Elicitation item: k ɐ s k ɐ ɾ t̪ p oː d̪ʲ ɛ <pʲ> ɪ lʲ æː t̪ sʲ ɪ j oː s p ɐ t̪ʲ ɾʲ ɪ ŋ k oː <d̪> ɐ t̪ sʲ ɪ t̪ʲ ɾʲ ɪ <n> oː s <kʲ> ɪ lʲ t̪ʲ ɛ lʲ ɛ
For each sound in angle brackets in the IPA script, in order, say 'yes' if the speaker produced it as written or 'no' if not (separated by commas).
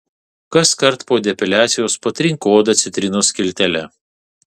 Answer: yes, yes, yes, yes